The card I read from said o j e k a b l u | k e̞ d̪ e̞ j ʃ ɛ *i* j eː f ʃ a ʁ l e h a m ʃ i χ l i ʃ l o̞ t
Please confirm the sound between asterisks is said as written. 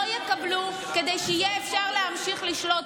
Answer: yes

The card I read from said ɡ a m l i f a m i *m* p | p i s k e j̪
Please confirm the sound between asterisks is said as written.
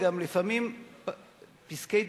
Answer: yes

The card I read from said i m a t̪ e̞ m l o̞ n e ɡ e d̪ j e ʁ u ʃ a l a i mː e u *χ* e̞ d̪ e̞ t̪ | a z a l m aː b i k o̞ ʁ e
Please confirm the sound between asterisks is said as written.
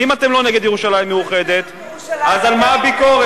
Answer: yes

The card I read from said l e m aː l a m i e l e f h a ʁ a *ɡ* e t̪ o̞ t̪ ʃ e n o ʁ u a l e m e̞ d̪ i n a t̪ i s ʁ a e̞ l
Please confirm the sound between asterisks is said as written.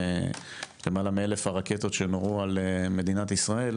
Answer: no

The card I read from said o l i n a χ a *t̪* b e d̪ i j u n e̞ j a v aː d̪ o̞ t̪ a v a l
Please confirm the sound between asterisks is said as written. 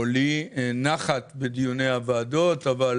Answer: yes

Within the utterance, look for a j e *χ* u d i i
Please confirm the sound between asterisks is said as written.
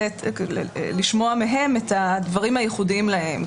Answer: yes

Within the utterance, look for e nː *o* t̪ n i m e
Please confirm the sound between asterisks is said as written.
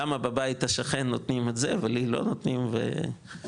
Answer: yes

